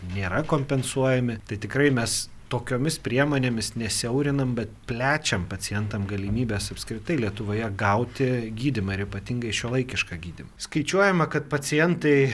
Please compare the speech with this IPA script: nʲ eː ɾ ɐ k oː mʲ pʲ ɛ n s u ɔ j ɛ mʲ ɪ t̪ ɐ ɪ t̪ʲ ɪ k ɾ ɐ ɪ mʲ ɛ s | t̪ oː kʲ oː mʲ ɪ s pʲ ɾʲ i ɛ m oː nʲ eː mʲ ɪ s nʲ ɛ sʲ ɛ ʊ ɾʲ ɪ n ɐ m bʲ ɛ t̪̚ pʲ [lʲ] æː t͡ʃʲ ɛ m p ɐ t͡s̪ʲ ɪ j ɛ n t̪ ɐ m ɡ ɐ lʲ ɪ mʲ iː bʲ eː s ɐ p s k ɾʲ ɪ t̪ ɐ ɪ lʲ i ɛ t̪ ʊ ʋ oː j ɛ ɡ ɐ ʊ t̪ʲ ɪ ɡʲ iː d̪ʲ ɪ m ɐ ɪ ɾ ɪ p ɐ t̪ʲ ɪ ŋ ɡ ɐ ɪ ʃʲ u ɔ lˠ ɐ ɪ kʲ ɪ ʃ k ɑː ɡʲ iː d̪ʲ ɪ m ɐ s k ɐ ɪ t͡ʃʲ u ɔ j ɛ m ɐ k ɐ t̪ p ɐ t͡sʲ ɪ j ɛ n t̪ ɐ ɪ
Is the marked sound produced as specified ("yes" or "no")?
yes